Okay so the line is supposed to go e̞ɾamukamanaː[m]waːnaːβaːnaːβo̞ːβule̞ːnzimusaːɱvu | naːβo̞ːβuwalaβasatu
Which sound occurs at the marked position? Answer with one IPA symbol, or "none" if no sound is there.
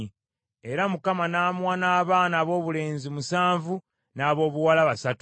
m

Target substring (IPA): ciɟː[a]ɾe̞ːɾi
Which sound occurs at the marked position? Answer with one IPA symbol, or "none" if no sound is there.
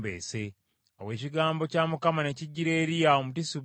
i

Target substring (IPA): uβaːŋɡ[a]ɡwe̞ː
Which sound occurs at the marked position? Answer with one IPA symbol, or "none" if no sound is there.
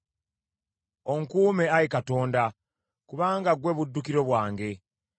a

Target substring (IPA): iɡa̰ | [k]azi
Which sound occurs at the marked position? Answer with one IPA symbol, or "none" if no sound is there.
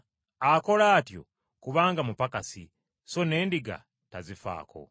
t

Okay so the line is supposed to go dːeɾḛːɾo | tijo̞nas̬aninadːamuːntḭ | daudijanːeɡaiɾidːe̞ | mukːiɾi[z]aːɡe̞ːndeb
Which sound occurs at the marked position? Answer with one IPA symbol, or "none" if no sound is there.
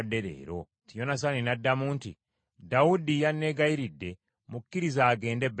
z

